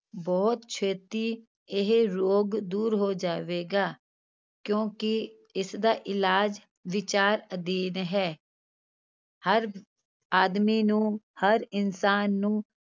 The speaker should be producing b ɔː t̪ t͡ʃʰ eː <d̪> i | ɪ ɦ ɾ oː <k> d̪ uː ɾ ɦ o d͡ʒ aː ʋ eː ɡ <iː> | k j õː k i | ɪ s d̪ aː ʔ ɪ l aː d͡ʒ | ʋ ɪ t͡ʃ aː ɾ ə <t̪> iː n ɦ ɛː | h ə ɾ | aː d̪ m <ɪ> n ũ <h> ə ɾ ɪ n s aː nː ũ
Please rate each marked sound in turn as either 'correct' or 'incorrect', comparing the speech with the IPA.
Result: incorrect, incorrect, incorrect, incorrect, incorrect, correct

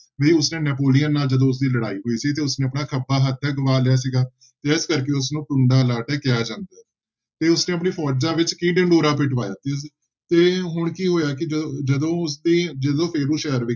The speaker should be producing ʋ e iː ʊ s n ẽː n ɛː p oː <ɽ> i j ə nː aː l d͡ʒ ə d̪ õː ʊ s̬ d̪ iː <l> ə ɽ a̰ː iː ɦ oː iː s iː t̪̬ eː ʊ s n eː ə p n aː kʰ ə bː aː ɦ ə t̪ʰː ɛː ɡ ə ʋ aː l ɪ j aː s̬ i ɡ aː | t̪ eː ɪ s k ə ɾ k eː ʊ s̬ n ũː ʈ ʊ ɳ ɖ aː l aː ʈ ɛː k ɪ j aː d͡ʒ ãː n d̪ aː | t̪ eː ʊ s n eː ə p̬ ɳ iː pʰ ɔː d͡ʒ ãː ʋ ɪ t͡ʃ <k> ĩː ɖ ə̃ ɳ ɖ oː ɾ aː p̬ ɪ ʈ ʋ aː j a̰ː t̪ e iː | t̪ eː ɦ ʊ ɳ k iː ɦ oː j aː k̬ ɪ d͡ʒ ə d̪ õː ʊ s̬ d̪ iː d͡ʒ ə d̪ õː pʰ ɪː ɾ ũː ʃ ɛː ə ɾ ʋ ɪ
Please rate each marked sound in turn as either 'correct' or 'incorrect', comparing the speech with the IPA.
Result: incorrect, correct, correct

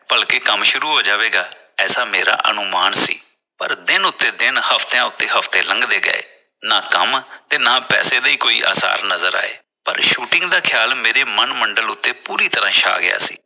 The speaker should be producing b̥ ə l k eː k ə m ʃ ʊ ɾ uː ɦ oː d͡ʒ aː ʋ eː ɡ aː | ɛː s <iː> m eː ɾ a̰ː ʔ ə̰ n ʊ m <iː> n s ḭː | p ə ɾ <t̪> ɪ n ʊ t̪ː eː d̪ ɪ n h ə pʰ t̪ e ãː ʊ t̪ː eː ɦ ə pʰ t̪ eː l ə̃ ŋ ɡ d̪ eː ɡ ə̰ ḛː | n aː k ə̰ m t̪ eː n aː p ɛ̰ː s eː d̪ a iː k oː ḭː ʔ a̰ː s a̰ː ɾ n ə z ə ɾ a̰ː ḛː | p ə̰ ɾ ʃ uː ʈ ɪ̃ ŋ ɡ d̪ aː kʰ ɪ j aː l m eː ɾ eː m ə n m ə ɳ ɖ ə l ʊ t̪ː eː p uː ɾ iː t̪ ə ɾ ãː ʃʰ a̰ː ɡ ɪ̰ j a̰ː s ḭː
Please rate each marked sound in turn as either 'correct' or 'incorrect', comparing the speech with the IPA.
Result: incorrect, incorrect, incorrect

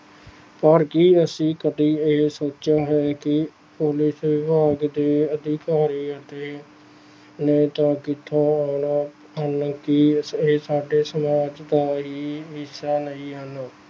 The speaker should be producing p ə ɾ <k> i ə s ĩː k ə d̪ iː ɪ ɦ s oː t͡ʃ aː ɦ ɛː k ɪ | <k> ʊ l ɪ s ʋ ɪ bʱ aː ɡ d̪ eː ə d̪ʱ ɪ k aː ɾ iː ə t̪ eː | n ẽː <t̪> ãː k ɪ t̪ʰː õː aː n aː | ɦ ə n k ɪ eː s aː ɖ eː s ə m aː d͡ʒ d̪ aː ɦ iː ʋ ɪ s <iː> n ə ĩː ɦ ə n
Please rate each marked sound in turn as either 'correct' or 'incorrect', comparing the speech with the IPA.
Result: correct, incorrect, correct, incorrect

